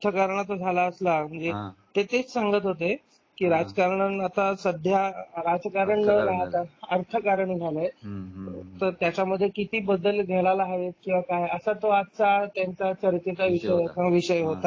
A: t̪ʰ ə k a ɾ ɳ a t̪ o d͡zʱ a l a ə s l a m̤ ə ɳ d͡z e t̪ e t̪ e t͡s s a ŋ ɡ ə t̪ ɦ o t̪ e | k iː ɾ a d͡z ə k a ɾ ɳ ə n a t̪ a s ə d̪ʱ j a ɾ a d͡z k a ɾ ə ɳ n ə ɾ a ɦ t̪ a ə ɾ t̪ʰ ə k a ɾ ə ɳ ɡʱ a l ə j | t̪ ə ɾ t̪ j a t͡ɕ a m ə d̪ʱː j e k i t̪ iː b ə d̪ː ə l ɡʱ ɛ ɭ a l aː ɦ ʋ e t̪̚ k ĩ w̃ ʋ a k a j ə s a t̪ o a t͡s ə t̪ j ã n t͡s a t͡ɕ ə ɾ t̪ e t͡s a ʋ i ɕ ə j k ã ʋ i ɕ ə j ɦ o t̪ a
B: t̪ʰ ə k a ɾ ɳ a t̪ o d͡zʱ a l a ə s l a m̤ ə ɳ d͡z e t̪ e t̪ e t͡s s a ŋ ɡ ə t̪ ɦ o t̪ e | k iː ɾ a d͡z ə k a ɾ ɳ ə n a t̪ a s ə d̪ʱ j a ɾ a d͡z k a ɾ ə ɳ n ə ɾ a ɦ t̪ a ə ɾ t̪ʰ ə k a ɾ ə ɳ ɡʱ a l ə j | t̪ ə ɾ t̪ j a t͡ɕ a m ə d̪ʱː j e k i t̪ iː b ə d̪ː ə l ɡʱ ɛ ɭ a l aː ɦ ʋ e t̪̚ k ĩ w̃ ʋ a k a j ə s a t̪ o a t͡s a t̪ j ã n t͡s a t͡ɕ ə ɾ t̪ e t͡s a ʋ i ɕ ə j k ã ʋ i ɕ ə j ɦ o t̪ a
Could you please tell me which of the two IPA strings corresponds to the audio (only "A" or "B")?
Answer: B